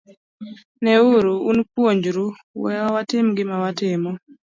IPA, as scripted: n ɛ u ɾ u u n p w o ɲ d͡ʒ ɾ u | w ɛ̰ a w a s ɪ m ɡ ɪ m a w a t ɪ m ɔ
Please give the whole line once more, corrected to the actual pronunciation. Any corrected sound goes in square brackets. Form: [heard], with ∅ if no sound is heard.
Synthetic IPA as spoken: n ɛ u ɾ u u n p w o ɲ d͡ʒ ɾ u | w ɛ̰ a w a [t] ɪ m ɡ ɪ m a w a t ɪ m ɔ